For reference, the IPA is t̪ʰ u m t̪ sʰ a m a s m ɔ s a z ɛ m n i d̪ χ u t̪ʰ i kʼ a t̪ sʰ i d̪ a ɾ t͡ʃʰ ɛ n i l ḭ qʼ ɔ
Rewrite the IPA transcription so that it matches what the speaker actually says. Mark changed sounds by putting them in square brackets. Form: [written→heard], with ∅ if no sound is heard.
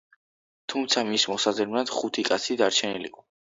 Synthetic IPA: t̪ʰ u m t̪ sʰ a m [a→i] s m ɔ s a z ɛ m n [i→a] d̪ χ u t̪ʰ i kʼ a t̪ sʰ i d̪ a ɾ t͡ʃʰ ɛ n i l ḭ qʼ ɔ